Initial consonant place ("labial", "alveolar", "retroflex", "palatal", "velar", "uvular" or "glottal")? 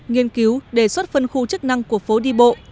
velar